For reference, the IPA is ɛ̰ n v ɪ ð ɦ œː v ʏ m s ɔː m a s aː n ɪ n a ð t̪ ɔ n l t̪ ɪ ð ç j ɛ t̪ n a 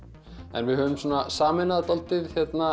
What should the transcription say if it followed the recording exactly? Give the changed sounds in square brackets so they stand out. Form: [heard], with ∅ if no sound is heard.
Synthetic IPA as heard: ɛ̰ n v ɪ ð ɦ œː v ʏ m s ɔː [n] a s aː [m] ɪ n a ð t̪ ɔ [∅] l t̪ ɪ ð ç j ɛ t̪ n a